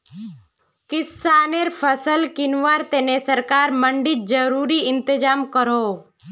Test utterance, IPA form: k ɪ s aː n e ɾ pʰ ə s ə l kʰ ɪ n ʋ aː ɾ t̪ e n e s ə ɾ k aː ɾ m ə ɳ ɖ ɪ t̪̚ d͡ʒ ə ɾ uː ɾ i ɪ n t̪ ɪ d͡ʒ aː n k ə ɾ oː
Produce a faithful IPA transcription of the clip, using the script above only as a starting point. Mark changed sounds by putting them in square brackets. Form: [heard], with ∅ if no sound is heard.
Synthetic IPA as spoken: k ɪ s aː n e ɾ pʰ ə s ə l [k] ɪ n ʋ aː ɾ t̪ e n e s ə ɾ k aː ɾ m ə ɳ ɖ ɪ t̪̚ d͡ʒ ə ɾ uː ɾ i ɪ n t̪ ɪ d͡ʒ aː [m] k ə ɾ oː